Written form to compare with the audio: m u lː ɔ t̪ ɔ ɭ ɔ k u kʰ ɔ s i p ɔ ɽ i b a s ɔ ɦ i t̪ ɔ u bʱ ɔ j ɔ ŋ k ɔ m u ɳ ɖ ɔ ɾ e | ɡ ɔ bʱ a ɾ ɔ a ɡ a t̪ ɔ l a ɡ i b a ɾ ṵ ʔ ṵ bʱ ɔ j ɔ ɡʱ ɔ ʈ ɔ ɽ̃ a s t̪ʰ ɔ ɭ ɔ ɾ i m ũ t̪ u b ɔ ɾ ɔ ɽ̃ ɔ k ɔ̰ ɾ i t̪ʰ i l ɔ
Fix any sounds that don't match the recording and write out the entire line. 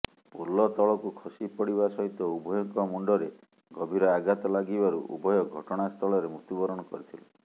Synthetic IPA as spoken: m u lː ɔ t̪ ɔ ɭ ɔ k u kʰ ɔ s i p ɔ ɽ i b a s ɔ ɦ i t̪ ɔ u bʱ ɔ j ɔ ŋ k ɔ m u ɳ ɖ ɔ ɾ e | ɡ ɔ bʱ i ɾ ɔ a ɡ a t̪ ɔ l a ɡ i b a ɾ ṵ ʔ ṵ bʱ ɔ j ɔ ɡʱ ɔ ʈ ɔ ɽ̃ a s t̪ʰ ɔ ɭ ɔ ɾ e m u t̪ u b ɔ ɾ ɔ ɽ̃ ɔ k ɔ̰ ɾ i t̪ʰ i l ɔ